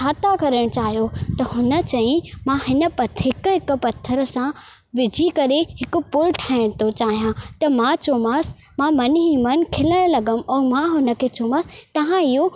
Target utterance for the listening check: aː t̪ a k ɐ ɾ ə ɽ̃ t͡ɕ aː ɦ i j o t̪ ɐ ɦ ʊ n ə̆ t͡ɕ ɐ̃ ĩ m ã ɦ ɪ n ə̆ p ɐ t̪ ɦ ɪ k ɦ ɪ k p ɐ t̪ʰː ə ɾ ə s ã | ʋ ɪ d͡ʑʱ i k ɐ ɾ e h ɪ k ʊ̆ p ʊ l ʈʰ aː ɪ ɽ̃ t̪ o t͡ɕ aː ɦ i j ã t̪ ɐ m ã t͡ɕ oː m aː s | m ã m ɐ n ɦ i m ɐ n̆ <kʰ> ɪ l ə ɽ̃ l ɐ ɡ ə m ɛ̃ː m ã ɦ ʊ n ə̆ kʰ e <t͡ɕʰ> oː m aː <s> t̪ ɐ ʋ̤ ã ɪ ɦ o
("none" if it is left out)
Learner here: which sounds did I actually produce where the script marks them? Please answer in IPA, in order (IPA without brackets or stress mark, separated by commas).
kʰ, t͡ɕ, s